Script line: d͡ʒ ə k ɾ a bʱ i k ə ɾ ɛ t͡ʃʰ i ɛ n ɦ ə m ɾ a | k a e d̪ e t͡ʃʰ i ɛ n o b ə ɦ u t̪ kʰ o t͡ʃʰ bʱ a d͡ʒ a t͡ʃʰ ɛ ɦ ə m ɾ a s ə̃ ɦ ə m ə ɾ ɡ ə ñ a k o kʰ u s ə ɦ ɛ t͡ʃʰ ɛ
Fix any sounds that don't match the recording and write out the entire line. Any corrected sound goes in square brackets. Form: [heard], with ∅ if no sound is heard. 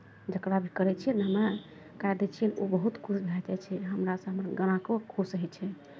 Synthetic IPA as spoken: d͡ʒ ə k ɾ a bʱ i k ə ɾ ɛ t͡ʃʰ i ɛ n ɦ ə m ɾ a | k a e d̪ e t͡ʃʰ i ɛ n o b ə ɦ u t̪ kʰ [u] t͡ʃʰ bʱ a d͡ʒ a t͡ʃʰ ɛ ɦ ə m ɾ a s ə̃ ɦ ə m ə ɾ ɡ ə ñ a k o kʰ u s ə ɦ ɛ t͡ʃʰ ɛ